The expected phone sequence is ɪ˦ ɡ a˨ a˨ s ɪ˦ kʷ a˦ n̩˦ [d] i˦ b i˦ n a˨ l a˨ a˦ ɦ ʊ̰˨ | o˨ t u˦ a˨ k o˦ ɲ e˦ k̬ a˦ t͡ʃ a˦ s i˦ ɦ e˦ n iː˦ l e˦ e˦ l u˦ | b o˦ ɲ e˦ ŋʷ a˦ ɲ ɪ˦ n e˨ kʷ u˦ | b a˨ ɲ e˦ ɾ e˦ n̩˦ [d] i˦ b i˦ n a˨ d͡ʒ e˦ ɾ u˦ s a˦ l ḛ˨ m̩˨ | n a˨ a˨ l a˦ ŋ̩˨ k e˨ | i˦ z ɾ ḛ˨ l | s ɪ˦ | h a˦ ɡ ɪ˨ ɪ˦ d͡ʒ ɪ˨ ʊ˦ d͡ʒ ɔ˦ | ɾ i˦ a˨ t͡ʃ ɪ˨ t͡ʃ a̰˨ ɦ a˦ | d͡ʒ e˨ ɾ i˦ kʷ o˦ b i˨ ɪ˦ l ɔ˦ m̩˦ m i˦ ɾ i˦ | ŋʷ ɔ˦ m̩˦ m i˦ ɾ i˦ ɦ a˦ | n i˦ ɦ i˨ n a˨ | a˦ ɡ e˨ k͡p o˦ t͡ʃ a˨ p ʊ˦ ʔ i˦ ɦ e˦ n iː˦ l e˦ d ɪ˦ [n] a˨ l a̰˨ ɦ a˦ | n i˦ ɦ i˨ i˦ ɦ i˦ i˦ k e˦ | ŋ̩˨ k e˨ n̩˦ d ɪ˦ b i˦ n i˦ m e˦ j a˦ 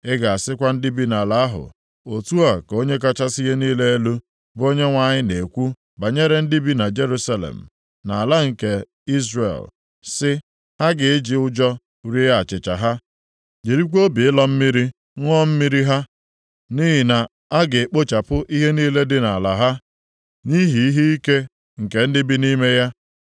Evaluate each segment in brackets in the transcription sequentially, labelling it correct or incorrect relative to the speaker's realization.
correct, correct, correct

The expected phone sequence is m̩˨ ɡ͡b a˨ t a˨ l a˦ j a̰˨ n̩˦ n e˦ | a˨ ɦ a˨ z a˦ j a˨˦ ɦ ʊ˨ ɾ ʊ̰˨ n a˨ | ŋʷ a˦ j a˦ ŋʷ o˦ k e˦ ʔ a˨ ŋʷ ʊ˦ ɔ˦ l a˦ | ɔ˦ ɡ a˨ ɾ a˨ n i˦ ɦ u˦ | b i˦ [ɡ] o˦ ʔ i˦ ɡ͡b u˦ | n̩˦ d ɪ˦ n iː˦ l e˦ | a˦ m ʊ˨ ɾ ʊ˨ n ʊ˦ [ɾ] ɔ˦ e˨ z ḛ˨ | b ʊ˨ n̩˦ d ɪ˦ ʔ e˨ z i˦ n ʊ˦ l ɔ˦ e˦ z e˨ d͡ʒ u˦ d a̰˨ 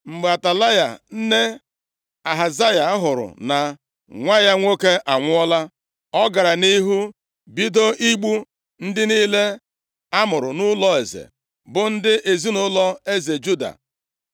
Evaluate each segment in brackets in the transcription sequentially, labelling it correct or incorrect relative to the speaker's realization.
incorrect: d, incorrect: l

